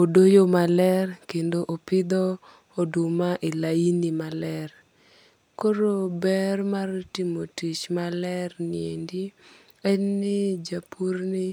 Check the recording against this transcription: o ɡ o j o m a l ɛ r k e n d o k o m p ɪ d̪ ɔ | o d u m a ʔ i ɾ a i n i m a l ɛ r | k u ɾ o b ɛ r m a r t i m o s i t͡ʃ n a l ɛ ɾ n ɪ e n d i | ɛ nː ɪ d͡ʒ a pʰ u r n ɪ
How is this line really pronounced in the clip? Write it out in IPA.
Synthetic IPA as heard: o d o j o m a l ɛ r k e n d o ʔ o p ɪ d̪ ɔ | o d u m a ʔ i l a i n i m a l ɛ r | k o ɾ o b ɛ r m a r t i m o t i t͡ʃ m a l ɛ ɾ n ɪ e n d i | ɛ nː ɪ d͡ʒ a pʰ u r n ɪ